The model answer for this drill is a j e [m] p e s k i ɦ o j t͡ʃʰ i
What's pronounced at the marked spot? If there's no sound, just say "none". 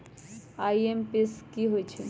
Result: m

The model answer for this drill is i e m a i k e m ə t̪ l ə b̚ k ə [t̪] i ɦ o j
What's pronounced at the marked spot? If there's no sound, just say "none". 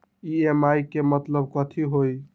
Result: t̪ʰ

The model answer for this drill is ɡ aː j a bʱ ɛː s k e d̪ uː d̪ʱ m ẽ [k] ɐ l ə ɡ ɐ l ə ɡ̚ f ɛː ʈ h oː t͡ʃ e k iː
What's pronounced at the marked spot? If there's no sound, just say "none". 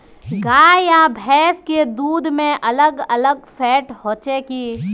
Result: ʔ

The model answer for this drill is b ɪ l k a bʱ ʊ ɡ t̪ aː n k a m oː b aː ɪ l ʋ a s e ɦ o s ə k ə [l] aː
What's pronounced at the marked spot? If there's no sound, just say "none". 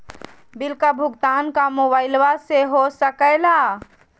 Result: l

